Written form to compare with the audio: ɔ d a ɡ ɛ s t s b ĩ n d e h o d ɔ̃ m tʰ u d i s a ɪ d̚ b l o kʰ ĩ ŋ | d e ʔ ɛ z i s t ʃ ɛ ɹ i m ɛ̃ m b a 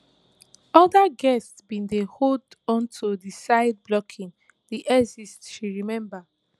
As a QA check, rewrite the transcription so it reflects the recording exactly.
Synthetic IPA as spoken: ɔ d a ɡ ɛ s t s b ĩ n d e h o d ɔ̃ n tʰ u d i s a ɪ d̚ b l ɔ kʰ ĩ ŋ | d i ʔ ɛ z i s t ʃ i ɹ i m ɛ̃ m b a